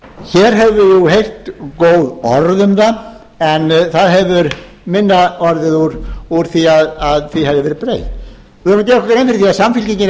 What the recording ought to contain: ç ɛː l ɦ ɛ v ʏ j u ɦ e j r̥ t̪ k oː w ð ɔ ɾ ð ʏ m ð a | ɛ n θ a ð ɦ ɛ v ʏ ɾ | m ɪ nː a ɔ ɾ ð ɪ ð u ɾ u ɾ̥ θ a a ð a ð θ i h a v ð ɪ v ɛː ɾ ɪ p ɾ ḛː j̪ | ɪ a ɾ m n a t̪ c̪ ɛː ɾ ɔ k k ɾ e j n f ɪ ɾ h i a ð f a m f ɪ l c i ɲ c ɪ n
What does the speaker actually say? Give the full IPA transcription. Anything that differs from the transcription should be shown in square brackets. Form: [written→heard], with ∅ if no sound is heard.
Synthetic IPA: ç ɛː [l→ɾ] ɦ ɛ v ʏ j u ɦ e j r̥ t̪ k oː w ð ɔ ɾ ð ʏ m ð a | ɛ n θ a ð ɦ ɛ v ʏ ɾ | m ɪ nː a ɔ ɾ ð ɪ ð u ɾ u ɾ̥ θ [a→i] a ð a ð θ i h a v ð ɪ v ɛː ɾ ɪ p ɾ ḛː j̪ | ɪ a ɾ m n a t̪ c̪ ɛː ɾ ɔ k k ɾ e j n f ɪ ɾ [h→θ] i a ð [f→s] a m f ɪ l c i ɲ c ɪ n